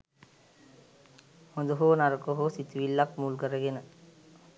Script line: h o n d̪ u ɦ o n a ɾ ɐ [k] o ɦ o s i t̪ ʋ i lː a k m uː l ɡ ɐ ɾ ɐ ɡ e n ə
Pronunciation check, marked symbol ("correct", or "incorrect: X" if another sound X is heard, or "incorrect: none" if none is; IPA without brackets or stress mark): correct